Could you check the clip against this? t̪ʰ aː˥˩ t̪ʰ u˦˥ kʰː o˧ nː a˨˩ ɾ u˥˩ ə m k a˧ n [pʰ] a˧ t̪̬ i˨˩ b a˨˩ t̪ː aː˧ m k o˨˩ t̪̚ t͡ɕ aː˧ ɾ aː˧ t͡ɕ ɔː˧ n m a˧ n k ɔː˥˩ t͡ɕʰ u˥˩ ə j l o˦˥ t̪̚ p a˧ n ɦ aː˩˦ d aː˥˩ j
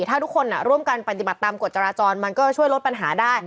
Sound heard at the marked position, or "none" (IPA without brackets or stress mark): p